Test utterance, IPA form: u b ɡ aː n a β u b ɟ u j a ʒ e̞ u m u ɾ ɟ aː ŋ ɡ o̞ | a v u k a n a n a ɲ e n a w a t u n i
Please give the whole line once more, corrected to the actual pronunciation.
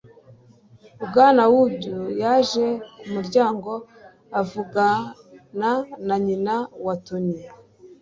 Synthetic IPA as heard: u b ɡ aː n a w u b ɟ u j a ʒ e̞ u m u ɾ ɟ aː ŋ ɡ o̞ | a v u ɡ a n a n a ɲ i n a w a t u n i